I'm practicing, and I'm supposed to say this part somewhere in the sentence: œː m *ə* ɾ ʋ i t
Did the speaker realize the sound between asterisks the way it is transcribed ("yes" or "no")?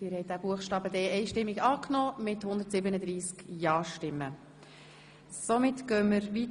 yes